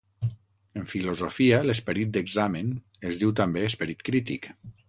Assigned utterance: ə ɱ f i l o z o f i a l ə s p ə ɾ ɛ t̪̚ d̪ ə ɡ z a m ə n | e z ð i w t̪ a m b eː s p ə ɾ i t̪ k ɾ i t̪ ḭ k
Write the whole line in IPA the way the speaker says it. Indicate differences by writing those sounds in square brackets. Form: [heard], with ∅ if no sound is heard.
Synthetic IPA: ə ɱ f i l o z o f i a l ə s p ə ɾ [i] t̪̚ d̪ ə ɡ z a m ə n | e z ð i w t̪ a m b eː s p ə ɾ i t̪ k ɾ i t̪ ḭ k